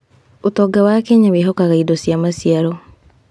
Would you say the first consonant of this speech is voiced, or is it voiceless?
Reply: voiceless